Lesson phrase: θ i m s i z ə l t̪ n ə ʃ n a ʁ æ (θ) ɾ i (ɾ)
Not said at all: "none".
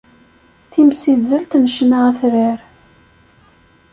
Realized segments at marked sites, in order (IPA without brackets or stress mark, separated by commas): θ, ɾ